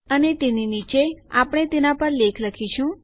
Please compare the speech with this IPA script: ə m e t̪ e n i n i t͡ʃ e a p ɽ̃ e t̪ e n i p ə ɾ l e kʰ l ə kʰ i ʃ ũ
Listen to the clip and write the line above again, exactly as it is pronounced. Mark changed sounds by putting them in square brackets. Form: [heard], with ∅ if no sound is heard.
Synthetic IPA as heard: ə [n] e t̪ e n i n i t͡ʃ e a p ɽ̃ e t̪ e n [a] p ə ɾ l e kʰ l ə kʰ i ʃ ũ